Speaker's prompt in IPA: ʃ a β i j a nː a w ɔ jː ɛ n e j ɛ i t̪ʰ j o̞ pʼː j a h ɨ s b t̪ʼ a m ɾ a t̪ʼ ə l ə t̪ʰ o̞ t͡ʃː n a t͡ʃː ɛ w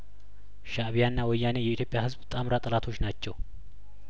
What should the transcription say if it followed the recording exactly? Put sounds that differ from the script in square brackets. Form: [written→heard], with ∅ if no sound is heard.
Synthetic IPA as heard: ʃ a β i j a nː a w ɔ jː [ɛ→a] n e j ɛ i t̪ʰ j o̞ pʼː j a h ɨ [s→z] b t̪ʼ a m ɾ a t̪ʼ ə l [ə→a] t̪ʰ o̞ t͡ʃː n a t͡ʃː ɛ w